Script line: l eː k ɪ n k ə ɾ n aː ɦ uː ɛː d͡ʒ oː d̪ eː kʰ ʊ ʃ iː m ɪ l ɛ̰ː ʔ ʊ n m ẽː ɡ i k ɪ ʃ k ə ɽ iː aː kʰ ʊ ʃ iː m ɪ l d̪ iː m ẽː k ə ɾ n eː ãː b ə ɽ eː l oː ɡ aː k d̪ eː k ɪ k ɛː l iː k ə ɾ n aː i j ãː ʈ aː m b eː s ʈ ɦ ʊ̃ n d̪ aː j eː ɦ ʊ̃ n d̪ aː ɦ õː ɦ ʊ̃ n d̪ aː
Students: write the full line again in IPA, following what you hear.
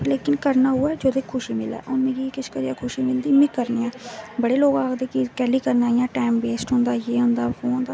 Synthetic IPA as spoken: l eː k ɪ n k ə ɾ n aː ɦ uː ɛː d͡ʒ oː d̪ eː kʰ ʊ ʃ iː m ɪ l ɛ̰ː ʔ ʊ n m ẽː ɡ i k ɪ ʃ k ə ɾ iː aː kʰ ʊ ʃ iː m ɪ l d̪ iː m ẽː k ə ɾ n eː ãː b ə ɽ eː l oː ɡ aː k d̪ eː k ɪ k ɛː l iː k ə ɾ n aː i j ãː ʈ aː m b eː s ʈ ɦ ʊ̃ n d̪ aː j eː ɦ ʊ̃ n d̪ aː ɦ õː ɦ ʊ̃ n d̪ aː